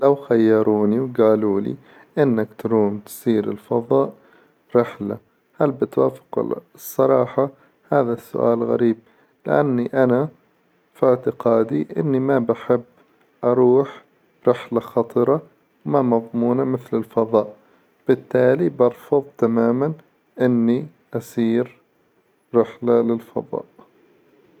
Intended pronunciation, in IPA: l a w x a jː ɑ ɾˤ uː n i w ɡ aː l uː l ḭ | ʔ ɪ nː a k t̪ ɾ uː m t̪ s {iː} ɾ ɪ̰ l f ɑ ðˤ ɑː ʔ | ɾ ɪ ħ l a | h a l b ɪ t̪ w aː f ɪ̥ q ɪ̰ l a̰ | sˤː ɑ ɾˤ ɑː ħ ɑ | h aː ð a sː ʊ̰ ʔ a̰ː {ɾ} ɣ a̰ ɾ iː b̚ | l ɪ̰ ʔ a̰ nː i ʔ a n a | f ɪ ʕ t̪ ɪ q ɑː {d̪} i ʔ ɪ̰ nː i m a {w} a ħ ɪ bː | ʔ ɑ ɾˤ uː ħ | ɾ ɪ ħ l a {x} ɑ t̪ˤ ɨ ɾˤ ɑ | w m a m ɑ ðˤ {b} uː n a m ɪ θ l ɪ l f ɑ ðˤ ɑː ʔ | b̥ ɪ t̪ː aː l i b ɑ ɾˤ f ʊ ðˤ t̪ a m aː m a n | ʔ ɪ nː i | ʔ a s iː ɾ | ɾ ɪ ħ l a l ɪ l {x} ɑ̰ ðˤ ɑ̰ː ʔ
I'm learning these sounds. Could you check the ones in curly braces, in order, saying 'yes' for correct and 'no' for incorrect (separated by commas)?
yes, no, yes, no, yes, no, no